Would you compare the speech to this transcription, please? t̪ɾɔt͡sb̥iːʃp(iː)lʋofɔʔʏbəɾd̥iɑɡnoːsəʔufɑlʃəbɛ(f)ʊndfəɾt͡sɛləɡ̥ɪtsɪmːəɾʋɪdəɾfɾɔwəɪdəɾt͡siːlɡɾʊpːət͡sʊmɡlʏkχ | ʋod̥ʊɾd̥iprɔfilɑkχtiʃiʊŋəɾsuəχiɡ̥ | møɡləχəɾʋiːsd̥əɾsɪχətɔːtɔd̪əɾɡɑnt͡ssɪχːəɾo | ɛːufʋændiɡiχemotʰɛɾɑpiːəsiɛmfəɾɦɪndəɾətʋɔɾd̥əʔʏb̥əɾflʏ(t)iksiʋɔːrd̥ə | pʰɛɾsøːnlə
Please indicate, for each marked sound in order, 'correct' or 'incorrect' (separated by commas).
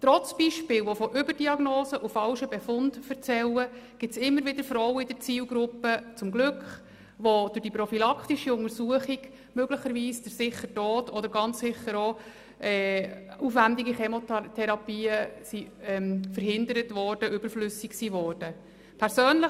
incorrect, correct, incorrect